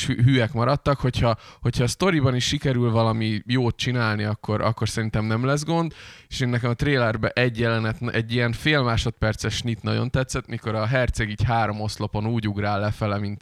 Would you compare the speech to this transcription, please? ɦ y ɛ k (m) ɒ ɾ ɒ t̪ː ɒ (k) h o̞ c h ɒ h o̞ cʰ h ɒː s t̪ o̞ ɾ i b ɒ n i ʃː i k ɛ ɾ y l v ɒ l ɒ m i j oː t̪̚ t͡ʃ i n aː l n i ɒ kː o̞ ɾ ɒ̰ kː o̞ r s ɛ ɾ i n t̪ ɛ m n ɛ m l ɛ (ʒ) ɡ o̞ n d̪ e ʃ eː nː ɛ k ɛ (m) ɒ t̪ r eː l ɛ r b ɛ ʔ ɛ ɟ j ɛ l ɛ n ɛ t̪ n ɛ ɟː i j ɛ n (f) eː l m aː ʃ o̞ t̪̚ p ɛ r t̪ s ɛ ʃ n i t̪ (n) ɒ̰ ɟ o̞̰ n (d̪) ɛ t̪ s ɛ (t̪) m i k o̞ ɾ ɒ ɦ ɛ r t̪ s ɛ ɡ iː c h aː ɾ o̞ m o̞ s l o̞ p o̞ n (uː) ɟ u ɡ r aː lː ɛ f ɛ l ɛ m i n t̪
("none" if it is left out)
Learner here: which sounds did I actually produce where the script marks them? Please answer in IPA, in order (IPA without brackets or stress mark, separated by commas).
m, k, z, m, f, n, t̪, t̪, uː